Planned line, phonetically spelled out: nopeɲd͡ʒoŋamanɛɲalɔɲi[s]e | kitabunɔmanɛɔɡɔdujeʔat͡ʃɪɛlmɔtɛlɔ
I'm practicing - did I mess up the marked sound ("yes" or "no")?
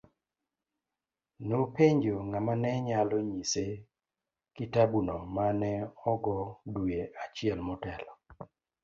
no